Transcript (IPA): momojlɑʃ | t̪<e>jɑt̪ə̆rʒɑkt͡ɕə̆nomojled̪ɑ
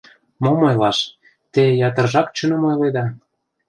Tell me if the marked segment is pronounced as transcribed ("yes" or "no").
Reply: yes